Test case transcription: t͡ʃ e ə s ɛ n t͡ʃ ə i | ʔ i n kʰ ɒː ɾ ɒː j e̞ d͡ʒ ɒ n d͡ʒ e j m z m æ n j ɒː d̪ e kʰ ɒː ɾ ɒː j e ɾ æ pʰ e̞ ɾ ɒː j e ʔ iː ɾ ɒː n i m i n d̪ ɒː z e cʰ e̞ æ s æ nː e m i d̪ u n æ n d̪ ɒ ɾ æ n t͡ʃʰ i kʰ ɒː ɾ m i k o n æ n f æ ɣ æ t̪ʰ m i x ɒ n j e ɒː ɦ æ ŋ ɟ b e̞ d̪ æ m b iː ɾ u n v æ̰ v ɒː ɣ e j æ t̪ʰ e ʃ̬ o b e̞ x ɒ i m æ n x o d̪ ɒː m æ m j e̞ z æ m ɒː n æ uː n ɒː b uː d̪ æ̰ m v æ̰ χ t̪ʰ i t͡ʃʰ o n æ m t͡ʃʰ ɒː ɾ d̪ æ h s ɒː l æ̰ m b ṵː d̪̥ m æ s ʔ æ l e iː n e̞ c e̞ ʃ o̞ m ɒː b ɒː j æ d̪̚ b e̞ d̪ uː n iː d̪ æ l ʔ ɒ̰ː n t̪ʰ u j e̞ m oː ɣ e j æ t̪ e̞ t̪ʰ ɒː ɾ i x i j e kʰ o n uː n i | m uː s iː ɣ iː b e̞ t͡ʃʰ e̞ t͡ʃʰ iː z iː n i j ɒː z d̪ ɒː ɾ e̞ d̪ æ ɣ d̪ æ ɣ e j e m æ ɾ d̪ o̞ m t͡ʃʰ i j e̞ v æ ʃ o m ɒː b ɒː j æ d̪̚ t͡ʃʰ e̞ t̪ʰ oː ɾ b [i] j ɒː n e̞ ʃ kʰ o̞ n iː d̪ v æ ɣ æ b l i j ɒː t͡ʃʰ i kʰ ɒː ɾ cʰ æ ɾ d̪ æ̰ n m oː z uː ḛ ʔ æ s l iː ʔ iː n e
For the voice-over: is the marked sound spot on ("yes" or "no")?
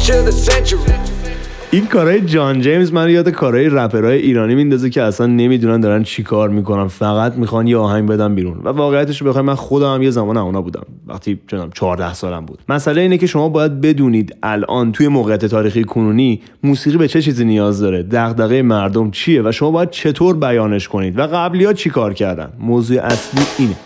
no